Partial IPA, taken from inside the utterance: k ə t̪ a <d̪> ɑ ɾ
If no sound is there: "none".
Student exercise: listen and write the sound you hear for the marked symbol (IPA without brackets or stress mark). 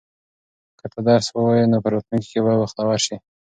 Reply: d̪